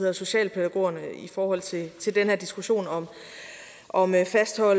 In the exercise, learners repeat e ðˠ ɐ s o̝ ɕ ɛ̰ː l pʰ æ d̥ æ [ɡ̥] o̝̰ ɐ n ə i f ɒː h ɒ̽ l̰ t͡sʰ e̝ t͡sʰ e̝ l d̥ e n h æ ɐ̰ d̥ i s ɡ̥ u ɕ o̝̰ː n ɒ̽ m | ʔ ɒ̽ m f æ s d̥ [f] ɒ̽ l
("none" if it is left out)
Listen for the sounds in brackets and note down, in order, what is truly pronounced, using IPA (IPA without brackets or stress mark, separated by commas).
ɡ̥, h